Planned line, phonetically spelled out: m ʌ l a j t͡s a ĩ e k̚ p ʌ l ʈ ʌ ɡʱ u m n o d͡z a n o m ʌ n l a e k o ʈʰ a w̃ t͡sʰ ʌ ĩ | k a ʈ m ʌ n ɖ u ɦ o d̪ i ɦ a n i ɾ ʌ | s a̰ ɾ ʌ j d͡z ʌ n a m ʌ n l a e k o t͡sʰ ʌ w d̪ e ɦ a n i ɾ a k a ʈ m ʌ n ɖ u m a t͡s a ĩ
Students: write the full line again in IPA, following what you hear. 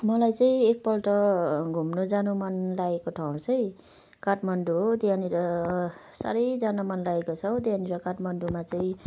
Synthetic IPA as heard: m ʌ l a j t͡s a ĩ e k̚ p ʌ l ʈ ʌ ɡʱ u m n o d͡z a n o m ʌ n l a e k o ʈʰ a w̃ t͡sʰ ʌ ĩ | k a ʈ m ʌ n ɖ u ɦ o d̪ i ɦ a n i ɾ ʌ | s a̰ ɾ ʌ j d͡z a n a m ʌ n l a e k o t͡sʰ ʌ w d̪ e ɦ a n i ɾ ʌ k a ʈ m ʌ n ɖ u m a t͡s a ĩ